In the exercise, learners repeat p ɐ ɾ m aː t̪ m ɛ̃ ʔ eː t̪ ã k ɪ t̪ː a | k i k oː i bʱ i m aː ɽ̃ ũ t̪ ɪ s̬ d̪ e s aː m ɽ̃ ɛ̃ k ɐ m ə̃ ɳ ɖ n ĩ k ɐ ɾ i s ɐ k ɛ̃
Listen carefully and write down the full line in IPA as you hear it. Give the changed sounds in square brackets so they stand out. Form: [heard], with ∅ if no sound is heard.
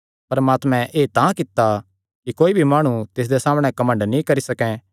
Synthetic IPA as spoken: p ɐ ɾ m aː t̪ m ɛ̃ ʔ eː t̪ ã k ɪ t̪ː a | k i k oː i bʱ i m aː ɽ̃ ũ t̪ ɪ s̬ d̪ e s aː m ɽ̃ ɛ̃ k ɐ m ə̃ ɳ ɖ n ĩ k ɐ ɾ i s ɐ k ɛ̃